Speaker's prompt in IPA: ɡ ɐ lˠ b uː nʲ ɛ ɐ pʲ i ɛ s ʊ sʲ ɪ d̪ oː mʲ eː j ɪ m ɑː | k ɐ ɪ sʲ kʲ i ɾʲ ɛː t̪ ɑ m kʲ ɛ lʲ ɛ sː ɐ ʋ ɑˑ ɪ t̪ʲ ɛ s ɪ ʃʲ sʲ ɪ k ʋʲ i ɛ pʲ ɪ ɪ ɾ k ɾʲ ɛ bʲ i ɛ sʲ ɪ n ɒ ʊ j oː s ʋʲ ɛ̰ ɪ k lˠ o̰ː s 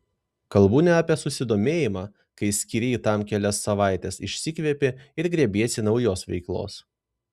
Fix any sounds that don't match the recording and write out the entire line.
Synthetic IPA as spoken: k ɐ lˠ b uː nʲ ɛ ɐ pʲ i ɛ s ʊ sʲ ɪ d̪ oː mʲ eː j ɪ m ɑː | k ɐ ɪ sʲ kʲ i ɾʲ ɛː t̪ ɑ m kʲ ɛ lʲ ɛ sː ɐ ʋ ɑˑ ɪ t̪ʲ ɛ s ɪ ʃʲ sʲ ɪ k ʋʲ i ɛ pʲ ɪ ɪ ɾ ɡ ɾʲ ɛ bʲ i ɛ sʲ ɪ n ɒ ʊ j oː s ʋʲ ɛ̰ ɪ k lˠ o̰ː s